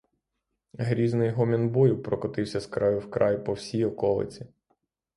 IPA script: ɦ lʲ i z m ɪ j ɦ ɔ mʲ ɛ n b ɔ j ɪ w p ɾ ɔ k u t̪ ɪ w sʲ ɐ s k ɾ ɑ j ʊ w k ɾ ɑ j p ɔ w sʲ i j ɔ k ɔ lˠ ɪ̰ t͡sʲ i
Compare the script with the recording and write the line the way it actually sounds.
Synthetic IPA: ɦ ɾʲ i z n ɪ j ɦ ɔ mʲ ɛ n b ɔ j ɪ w p ɾ ɔ k ɔ t̪ ɪ w sʲ ɐ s k ɾ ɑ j ʊ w k ɾ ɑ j p ɔ w sʲ i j ɔ k ɔ lˠ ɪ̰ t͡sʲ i